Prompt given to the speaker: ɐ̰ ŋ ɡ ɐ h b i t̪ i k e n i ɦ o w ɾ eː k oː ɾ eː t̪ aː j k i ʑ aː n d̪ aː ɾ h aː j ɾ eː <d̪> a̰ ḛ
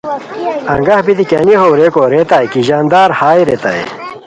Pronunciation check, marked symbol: incorrect: t̪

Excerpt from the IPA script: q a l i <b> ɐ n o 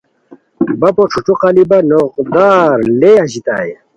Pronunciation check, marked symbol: correct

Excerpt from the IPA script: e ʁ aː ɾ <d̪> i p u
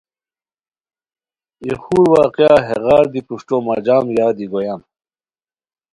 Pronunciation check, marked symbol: correct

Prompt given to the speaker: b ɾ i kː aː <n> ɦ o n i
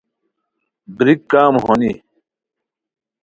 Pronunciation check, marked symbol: incorrect: m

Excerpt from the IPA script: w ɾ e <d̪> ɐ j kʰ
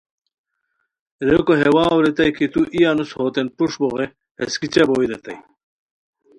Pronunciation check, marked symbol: incorrect: t̪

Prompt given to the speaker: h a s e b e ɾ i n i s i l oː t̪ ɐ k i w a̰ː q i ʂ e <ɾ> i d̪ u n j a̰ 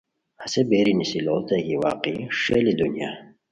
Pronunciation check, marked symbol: incorrect: l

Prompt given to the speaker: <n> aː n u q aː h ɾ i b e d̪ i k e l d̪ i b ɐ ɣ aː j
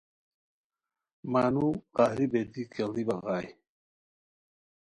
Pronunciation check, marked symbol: incorrect: m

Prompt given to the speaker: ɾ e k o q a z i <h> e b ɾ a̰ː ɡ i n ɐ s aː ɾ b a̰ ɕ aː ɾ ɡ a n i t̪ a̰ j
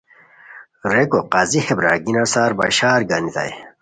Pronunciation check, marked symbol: correct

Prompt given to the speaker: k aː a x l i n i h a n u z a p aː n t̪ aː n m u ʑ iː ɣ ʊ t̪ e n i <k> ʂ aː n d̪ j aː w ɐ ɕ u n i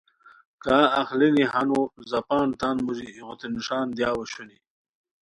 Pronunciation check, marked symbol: incorrect: none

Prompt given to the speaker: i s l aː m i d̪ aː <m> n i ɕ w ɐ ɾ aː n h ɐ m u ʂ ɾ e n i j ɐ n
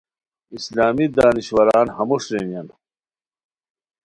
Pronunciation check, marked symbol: incorrect: none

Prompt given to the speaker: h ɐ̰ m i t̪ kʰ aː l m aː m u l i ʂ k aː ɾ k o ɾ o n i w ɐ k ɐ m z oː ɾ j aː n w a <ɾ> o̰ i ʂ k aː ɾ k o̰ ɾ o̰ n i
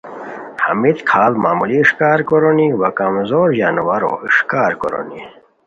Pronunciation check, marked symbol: correct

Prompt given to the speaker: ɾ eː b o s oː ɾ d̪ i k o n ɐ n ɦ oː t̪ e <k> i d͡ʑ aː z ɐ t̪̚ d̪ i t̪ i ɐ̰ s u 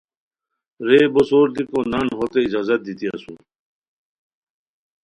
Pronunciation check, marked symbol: incorrect: none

